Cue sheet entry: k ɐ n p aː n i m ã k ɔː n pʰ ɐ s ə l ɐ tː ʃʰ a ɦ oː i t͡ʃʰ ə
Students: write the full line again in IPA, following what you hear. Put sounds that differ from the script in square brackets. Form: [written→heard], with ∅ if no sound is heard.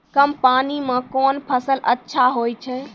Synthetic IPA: k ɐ [n→m] p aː n i m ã k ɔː n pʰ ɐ s ə l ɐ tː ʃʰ a ɦ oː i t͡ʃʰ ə

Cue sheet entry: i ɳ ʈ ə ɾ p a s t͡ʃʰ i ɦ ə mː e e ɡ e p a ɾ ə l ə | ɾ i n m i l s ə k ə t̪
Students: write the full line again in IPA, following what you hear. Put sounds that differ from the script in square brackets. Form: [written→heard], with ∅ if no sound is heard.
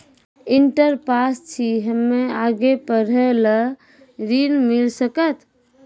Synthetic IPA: i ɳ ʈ ə ɾ p a s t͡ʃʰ i ɦ ə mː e [e→a] ɡ e p [a→ə] ɾ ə l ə | ɾ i n m i l s ə k ə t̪

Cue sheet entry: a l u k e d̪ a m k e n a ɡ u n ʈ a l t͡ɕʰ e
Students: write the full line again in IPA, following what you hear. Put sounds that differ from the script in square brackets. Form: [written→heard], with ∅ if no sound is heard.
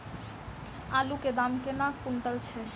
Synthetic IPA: a l u k e d̪ a m k e n a [ɡ→k] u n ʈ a l t͡ɕʰ e

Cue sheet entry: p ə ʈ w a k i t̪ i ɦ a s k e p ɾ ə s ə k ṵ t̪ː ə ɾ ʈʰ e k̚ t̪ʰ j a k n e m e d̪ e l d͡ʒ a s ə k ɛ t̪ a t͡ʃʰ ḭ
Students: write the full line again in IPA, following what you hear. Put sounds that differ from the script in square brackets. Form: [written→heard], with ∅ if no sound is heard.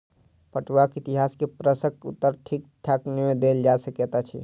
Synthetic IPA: p ə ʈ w a k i t̪ i ɦ a s k e p ɾ ə s ə k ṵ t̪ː ə ɾ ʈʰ [e→i] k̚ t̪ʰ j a k n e m e d̪ e l d͡ʒ a s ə k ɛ t̪ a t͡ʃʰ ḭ

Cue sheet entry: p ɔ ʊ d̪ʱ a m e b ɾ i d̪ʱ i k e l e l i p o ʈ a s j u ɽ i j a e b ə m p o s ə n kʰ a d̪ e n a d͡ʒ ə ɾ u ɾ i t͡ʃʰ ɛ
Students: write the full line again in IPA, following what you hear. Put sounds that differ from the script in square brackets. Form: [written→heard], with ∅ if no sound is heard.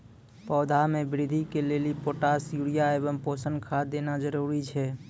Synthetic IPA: p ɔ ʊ d̪ʱ a m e b ɾ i d̪ʱ i k e l e l i p o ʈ a s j u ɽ i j a e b ə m p o s ə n kʰ a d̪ e n a d͡ʒ ə ɾ u ɾ i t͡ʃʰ ɛ

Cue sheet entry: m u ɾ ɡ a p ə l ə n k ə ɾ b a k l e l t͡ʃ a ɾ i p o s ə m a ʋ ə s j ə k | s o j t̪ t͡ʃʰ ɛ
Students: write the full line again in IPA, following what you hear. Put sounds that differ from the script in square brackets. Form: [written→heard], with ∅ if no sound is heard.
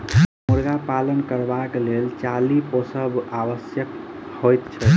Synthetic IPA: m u ɾ ɡ a p [ə→a] l ə n k ə ɾ b a k l e l t͡ʃ a [ɾ→l] i p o s ə [m→b] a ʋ ə s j ə k | [s→h] o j t̪ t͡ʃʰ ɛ

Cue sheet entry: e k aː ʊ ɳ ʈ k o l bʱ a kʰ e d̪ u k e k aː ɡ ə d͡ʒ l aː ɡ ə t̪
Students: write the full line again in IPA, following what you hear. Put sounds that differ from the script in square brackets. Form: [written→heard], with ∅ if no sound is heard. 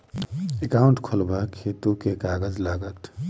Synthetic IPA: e k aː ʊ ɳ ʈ [k→kʰ] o l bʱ a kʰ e [d̪→t̪] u k e k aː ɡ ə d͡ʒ l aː ɡ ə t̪

